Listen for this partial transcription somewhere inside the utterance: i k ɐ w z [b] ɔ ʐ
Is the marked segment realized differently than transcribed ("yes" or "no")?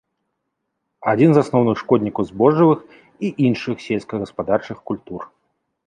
no